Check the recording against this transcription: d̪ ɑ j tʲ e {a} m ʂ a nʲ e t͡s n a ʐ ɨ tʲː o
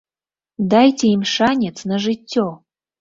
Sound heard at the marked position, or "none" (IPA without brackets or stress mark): i